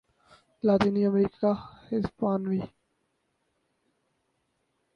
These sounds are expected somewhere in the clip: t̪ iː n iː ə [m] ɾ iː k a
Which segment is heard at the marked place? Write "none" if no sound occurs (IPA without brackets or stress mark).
m